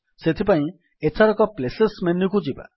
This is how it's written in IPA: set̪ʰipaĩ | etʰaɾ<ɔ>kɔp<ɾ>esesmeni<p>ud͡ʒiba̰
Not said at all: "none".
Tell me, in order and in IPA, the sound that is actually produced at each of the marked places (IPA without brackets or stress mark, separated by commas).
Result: ɔ, l, k